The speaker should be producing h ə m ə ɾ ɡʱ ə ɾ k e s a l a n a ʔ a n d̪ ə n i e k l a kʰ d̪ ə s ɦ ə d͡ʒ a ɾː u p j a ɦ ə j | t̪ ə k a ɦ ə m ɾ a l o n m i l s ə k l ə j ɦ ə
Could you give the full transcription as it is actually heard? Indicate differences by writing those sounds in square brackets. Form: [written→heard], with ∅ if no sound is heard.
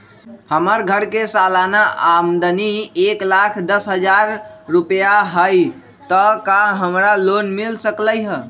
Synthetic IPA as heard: h ə m ə ɾ ɡʱ ə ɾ k e s a l a n a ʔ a [n→m] d̪ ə n i e k l a kʰ d̪ ə s ɦ ə d͡ʒ a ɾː u p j a ɦ ə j | t̪ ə k a ɦ ə m ɾ a l o n m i l s ə k l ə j ɦ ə

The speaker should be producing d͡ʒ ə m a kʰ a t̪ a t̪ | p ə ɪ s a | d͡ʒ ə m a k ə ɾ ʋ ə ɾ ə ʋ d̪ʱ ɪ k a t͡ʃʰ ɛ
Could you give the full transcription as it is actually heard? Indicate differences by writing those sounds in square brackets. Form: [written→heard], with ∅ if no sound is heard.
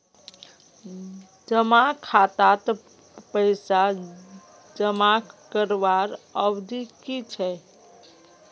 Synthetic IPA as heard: d͡ʒ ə m a kʰ a t̪ a t̪ | p ə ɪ s a | d͡ʒ ə m a k ə ɾ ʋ [ə→a] ɾ ə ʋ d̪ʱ [ɪ→i] k [a→i] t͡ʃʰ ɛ

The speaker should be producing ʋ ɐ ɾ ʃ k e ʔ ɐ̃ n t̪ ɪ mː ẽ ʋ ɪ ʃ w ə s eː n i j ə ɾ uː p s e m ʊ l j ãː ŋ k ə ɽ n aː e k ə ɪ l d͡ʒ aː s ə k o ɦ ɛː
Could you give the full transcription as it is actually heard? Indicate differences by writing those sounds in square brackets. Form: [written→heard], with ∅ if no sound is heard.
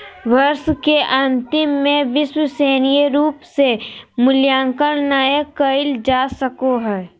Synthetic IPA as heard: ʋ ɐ ɾ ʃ k e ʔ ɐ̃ n t̪ ɪ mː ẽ ʋ ɪ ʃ w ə s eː n i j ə ɾ uː p s e m ʊ l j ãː ŋ k ə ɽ n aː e k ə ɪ l d͡ʒ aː s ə k o ɦ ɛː

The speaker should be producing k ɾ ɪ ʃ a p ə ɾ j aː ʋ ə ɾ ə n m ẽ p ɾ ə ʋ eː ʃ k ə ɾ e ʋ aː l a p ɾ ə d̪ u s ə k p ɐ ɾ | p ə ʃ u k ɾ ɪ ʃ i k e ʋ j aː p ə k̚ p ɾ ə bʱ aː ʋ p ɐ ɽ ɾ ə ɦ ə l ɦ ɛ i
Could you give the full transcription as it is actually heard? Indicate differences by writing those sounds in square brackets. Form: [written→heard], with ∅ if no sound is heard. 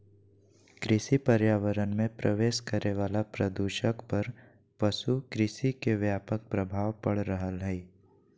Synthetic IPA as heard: k ɾ ɪ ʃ [a→i] p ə ɾ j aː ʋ ə ɾ ə n m ẽ p ɾ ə ʋ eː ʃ k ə ɾ e ʋ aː l a p ɾ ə d̪ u [s→ʃ] ə k p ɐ ɾ | p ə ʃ u k ɾ ɪ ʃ i k e ʋ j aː p ə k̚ p ɾ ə bʱ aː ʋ p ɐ ɽ ɾ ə ɦ ə l ɦ ɛ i

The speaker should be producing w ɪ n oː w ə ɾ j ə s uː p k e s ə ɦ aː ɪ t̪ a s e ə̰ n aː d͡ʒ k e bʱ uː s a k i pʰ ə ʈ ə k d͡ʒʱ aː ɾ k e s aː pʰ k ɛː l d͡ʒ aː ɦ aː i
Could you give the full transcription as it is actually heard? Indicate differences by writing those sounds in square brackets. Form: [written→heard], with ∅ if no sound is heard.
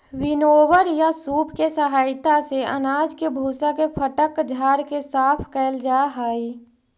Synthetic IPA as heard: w ɪ n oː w ə ɾ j [ə→a] s uː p k e s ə ɦ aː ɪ t̪ a s e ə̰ n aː d͡ʒ k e bʱ uː s a k [i→e] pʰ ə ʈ ə k d͡ʒʱ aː ɾ k e s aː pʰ k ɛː l d͡ʒ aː ɦ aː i

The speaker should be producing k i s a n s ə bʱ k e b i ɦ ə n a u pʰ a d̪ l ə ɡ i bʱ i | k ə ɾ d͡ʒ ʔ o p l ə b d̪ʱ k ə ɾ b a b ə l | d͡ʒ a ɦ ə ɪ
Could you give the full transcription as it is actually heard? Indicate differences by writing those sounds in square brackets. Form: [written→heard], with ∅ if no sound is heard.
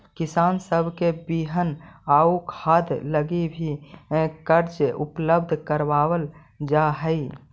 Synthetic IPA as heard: k i s a n s ə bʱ k e b i ɦ ə n a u [pʰ→kʰ] a d̪ l ə ɡ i bʱ i | k ə ɾ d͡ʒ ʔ [o→u] p l ə b d̪ʱ k ə ɾ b a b ə l | d͡ʒ a ɦ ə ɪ

